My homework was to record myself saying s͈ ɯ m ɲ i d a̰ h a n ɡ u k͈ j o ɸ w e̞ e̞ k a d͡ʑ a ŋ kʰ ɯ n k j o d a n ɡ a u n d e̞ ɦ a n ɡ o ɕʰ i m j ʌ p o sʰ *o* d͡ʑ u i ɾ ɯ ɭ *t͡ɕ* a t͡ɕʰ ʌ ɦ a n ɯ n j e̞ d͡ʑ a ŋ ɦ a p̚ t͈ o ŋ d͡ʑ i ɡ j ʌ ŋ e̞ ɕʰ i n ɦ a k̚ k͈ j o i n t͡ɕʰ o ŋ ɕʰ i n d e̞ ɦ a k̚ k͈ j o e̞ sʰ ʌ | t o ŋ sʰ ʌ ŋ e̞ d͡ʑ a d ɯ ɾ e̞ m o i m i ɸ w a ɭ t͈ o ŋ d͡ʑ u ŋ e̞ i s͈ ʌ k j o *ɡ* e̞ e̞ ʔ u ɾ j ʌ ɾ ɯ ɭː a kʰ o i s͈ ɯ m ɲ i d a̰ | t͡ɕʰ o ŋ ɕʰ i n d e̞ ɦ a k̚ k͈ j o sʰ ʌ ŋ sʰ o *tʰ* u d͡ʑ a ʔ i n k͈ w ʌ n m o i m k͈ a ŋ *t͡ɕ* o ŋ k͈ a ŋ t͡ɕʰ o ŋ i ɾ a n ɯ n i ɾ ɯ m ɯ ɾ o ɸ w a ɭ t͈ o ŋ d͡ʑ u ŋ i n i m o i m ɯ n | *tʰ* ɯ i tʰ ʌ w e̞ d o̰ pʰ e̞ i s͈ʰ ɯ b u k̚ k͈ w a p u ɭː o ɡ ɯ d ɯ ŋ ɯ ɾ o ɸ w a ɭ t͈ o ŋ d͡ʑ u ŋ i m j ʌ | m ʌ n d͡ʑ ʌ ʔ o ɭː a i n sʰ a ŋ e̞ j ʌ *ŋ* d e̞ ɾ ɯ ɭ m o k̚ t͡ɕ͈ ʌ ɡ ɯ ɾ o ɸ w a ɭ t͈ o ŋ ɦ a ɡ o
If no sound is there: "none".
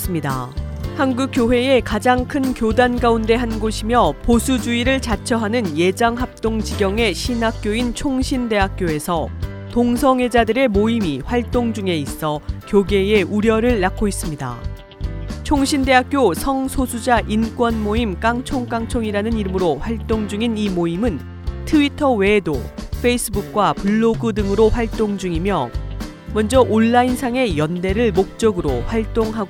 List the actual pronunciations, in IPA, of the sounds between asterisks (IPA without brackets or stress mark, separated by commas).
u, t͡ɕ, ɡ, sʰ, t͡ɕʰ, tʰ, n